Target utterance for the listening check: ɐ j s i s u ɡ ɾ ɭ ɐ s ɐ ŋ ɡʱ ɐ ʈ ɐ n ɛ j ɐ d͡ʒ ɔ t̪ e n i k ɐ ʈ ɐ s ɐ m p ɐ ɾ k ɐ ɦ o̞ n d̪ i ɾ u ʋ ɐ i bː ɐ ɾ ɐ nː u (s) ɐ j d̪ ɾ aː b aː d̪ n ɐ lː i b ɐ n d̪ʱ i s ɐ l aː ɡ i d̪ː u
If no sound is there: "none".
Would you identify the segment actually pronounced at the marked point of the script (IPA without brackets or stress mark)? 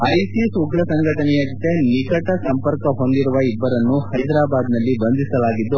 h